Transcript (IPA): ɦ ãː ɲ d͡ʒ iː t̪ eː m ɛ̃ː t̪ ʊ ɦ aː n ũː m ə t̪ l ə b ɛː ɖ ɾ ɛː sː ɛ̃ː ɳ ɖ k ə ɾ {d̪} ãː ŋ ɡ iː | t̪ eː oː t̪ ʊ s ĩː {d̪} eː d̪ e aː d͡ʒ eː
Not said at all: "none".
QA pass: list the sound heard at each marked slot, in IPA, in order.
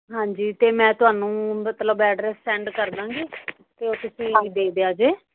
d̪, d̪

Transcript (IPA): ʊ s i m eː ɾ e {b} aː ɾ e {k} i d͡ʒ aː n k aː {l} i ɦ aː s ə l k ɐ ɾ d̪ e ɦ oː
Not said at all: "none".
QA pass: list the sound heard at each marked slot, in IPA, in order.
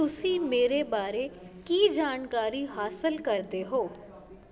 b, k, ɾ

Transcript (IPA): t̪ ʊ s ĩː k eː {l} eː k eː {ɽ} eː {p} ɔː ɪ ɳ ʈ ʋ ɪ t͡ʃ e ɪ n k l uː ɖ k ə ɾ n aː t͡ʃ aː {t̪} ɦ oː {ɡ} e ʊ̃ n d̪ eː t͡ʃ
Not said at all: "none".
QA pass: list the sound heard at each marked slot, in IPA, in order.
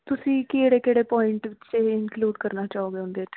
ɽ, ɽ, p, none, ɡ

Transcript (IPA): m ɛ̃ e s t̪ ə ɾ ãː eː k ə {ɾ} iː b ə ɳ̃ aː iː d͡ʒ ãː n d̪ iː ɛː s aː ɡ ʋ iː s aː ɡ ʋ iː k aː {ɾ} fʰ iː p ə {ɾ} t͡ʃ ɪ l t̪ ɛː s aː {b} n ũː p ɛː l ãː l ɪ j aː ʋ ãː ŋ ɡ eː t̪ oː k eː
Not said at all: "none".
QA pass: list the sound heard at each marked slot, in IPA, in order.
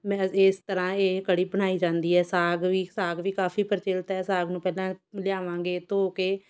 ɽ, none, ɾ, ɡ

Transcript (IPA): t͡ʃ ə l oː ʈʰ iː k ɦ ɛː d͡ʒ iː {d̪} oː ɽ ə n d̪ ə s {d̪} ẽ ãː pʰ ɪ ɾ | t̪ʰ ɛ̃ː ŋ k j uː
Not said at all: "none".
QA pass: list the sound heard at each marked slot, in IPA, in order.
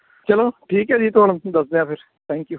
t̪, d̪

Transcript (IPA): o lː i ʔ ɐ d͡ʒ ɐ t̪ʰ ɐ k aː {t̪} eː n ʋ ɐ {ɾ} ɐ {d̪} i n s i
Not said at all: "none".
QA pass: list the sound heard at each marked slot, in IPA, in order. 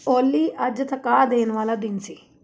d̪, l, d̪

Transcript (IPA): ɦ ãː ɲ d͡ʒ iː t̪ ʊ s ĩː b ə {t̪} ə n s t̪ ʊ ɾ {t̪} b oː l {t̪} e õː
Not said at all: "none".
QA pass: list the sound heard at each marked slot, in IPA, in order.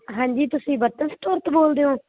t̪, t̪, d̪

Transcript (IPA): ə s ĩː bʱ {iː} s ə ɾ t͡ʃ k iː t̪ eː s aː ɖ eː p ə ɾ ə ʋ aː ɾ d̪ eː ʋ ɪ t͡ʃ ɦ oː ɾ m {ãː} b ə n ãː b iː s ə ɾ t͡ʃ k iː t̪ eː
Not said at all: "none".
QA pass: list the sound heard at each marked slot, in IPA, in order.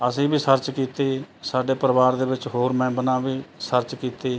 iː, ɛ̃ː

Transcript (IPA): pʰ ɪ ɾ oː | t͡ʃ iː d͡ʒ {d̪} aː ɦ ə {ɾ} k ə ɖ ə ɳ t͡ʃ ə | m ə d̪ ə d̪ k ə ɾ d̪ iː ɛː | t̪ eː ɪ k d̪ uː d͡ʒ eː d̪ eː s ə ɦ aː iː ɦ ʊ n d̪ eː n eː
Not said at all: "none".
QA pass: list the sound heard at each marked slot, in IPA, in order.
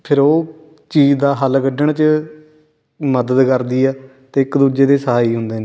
d̪, l

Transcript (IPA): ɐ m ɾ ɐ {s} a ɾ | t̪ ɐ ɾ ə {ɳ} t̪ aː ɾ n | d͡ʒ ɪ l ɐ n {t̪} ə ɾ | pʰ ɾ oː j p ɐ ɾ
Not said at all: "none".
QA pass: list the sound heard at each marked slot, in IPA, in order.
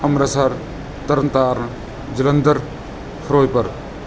s, n, d̪

